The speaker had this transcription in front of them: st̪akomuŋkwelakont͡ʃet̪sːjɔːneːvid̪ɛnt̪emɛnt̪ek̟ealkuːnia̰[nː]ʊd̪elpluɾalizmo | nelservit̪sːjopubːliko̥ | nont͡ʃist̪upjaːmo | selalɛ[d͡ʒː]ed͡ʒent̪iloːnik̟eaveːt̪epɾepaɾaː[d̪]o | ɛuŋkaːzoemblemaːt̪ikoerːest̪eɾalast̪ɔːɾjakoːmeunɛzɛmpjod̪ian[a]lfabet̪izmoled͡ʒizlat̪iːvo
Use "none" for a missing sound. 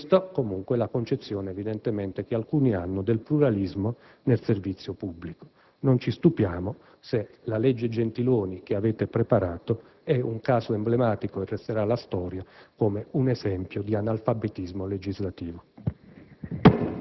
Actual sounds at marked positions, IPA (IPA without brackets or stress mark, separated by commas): nː, d͡ʒː, t̪, a